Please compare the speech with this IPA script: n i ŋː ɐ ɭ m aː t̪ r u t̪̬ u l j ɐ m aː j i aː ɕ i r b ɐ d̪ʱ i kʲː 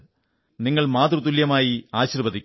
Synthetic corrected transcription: n i ŋː ɐ ɭ m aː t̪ r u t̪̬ u l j ɐ m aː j i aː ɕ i r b ɐ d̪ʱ i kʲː

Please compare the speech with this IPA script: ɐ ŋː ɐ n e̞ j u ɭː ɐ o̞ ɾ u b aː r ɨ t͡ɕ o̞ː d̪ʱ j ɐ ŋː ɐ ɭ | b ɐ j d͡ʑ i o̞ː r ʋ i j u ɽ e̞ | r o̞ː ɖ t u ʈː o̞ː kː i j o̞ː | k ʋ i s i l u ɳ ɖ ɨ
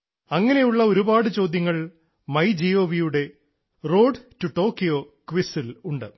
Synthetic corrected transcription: ɐ ŋː ɐ n e̞ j u ɭː ɐ o̞ ɾ u b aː ɽ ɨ t͡ɕ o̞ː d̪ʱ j ɐ ŋː ɐ ɭ | m ɐ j d͡ʑ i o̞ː ʋ i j u ɽ e̞ | r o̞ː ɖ t u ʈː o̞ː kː i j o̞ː | k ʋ i s i l u ɳ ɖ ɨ

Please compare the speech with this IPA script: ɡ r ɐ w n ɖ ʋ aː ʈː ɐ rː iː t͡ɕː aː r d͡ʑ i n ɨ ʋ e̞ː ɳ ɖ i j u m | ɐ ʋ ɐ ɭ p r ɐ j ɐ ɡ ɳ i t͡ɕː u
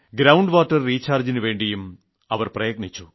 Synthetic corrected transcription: ɡ ɾ ɐ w ɳ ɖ ʋ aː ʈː ɐ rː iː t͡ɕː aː r d͡ʑ i n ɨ ʋ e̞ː ɳ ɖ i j u m | ɐ ʋ ɐ r p r ɐ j ɐ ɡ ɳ i t͡ɕː u

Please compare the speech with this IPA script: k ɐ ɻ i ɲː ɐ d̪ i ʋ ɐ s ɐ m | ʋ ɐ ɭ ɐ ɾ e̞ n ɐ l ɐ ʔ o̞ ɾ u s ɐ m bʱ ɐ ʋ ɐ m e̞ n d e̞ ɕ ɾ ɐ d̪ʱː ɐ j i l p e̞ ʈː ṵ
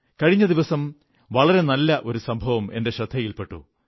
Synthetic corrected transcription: k ɐ ɻ i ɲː ɐ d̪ i ʋ ɐ s ɐ m | ʋ ɐ ɭ ɐ ɾ e̞ n ɐ lː ɐ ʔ o̞ ɾ u s ɐ m bʱ ɐ ʋ ɐ m e̞ n d e̞ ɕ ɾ ɐ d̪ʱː ɐ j i l p e̞ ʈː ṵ

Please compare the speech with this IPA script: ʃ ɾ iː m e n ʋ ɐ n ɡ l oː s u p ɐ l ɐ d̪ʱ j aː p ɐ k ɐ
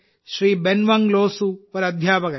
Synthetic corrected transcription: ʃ ɾ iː b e n ʋ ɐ ŋ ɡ l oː s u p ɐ ɾ ɐ d̪ʱ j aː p ɐ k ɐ

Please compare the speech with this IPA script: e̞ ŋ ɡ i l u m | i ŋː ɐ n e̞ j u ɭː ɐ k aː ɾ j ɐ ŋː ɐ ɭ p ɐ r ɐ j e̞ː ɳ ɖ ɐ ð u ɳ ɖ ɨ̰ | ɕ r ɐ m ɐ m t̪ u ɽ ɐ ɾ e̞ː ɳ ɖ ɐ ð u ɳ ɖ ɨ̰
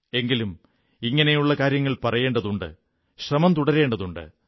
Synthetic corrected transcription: e̞ ŋ ɡ i l u m | i ŋː ɐ n e̞ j u ɭː ɐ k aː ɾ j ɐ ŋː ɐ ɭ p ɐ r ɐ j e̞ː ɳ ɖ ɐ ð u ɳ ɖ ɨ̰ | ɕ r ɐ m ɐ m t̪ u ɽ ɐ ɾ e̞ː ɳ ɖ ɐ ð u ɳ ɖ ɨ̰

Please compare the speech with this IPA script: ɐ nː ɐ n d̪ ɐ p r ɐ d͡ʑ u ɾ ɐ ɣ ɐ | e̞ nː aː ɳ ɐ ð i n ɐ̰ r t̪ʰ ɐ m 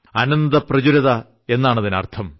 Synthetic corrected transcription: ɐ n ɐ n d̪ ɐ p r ɐ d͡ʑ u ɾ ɐ ð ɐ | e̞ nː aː ɳ ɐ ð i n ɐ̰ r t̪ʰ ɐ m

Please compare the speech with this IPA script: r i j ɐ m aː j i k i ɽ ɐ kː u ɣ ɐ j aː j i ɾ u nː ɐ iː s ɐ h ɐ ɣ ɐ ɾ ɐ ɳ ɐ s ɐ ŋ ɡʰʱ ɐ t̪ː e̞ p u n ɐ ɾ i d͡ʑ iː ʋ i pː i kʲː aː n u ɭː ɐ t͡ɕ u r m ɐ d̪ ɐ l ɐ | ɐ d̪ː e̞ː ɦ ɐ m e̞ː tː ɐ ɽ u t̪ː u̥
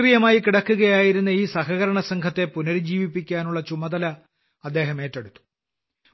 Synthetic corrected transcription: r i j ɐ m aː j i k i ɽ ɐ kː u ɣ ɐ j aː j i ɾ u nː ɐ iː s ɐ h ɐ ɣ ɐ ɾ ɐ ɳ ɐ s ɐ ŋ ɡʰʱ ɐ t̪ː e̞ p u n ɐ ɾ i d͡ʑ iː ʋ i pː i kʲː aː n u ɭː ɐ t͡ɕ u m ɐ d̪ ɐ l ɐ | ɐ d̪ː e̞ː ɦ ɐ m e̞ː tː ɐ ɽ u t̪ː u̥

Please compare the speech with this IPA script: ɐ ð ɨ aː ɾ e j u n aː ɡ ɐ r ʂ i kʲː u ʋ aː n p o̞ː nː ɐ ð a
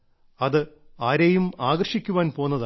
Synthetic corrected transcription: ɐ ð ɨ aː ɾ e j u m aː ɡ ɐ r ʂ i kʲː u ʋ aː n p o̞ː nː ɐ ð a

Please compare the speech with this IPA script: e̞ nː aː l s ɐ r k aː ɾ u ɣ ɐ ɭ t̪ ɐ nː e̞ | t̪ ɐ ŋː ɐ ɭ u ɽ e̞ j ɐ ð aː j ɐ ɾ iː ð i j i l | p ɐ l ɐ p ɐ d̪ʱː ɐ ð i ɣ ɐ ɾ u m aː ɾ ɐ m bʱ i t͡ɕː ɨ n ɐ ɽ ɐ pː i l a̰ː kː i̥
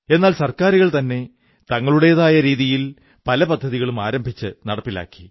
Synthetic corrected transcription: e̞ nː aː l s ɐ r k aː ɾ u ɣ ɐ ɭ t̪ ɐ nː e̞ | t̪ ɐ ŋː ɐ ɭ u ɽ e̞ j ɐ ð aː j ɐ ɾ iː ð i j i l | p ɐ l ɐ p ɐ d̪ʱː ɐ ð i ɣ ɐ ɭ u m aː ɾ ɐ m bʱ i t͡ɕː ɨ n ɐ ɽ ɐ pː i l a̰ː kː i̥

